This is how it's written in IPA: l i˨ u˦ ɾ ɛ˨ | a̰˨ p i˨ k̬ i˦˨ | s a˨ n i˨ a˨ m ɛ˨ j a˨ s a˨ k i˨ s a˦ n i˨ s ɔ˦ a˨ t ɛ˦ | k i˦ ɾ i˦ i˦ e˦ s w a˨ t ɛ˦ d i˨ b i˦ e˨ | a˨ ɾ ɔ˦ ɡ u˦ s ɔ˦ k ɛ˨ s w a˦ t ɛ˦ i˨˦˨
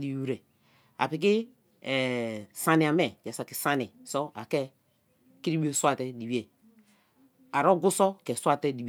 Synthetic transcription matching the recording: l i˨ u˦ ɾ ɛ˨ | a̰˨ p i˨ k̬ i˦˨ | s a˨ n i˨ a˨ m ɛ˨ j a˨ s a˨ k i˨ s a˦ n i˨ s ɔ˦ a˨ k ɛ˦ | k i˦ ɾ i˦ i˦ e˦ s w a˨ t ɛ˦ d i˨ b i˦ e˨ | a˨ ɾ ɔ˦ ɡ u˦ s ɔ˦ k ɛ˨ s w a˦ t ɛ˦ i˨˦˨